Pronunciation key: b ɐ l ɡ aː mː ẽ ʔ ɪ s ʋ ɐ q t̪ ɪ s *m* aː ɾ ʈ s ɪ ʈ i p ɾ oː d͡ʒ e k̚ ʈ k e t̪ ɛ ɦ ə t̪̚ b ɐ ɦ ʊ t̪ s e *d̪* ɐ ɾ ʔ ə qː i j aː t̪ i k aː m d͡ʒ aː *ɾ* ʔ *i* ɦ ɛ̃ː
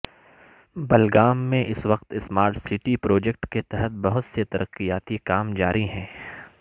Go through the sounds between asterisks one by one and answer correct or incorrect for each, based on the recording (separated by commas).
correct, incorrect, correct, correct